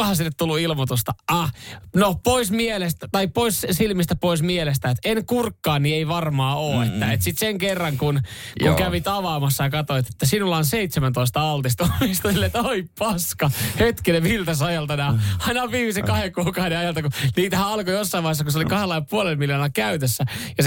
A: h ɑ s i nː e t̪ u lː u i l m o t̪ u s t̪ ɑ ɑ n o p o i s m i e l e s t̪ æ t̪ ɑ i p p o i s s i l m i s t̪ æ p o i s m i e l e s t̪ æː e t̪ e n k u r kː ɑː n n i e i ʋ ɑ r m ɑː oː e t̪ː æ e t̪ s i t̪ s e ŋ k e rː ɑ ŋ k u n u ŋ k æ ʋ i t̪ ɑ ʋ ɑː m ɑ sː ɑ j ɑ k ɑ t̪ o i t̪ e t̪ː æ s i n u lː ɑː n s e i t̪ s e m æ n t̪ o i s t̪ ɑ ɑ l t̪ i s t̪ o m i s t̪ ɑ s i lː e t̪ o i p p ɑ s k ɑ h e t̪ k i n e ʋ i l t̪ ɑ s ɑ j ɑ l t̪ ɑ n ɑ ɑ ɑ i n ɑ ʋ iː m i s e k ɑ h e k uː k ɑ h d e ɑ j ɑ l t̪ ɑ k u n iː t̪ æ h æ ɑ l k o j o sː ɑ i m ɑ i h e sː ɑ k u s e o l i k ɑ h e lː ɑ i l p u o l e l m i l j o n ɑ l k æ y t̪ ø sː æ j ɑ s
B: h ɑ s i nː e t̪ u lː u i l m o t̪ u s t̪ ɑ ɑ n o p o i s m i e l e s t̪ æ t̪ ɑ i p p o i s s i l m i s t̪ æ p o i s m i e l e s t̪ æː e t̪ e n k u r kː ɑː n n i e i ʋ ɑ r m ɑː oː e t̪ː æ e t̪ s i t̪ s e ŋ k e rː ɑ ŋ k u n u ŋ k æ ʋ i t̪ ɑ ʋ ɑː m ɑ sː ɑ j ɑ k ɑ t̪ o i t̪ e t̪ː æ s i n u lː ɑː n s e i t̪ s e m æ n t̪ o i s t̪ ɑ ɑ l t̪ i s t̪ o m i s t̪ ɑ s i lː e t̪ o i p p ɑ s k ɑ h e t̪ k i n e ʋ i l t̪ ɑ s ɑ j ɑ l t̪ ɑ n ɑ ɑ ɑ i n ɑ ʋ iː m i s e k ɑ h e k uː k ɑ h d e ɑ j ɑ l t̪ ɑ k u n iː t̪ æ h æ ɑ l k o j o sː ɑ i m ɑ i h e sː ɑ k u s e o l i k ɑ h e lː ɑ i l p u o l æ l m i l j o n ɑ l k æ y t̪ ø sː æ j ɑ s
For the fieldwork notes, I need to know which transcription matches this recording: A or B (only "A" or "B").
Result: A